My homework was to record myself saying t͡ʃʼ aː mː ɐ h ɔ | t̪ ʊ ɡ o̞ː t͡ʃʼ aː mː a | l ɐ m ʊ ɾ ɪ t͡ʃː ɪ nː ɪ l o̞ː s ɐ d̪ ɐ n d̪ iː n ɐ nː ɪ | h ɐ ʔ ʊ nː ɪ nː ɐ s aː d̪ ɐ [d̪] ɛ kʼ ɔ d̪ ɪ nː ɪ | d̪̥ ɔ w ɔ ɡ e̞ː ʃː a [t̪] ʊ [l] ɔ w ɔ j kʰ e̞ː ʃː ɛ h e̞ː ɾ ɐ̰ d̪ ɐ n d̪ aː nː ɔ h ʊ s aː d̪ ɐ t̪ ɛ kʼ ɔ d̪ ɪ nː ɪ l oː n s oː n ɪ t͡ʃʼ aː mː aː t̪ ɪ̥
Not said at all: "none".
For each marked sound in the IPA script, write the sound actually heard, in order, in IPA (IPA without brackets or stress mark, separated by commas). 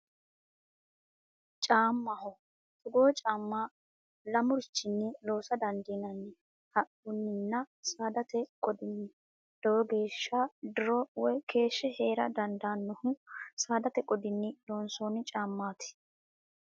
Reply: t̪, d̪, ɾ